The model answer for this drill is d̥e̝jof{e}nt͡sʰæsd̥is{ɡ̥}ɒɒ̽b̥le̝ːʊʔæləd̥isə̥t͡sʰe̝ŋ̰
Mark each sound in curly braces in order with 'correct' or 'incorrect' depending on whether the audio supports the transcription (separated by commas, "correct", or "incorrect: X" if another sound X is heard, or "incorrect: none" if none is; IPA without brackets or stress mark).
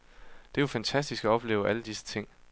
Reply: incorrect: æ, correct